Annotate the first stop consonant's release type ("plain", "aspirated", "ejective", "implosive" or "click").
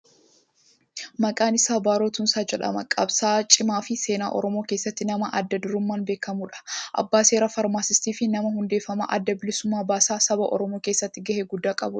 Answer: ejective